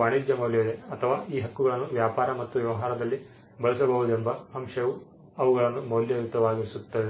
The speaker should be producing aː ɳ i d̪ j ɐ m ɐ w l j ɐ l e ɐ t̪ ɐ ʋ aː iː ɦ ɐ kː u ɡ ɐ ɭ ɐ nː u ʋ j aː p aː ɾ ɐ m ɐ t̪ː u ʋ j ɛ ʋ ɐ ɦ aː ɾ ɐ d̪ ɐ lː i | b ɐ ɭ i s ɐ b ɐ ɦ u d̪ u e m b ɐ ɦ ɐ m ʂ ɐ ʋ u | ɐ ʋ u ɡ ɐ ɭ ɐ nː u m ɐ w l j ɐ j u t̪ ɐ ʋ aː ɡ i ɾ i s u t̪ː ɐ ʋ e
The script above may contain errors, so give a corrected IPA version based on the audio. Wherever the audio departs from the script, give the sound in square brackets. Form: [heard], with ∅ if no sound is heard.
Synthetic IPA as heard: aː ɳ i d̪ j ɐ m ɐ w l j ɐ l e ɐ [t̪ʰ] ɐ ʋ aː iː ɦ ɐ kː u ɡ ɐ ɭ ɐ nː u ʋ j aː p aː ɾ ɐ m ɐ t̪ː u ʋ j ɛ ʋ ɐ ɦ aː ɾ ɐ d̪ ɐ lː i | b ɐ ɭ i s ɐ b ɐ ɦ u d̪ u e m b ɐ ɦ ɐ m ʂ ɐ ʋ u | ɐ ʋ u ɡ ɐ ɭ ɐ nː u m ɐ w l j ɐ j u t̪ ɐ ʋ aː ɡ i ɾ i s u t̪ː ɐ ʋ e